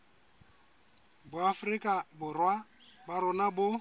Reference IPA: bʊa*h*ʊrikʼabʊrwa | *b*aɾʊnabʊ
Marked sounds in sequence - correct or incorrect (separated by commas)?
incorrect, correct